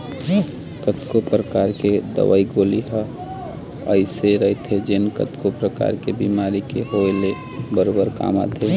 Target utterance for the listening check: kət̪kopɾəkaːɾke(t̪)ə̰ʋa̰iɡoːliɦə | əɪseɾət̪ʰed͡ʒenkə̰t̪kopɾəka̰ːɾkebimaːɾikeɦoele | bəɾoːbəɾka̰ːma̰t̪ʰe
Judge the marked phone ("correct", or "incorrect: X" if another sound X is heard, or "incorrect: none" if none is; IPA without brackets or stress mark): incorrect: d̪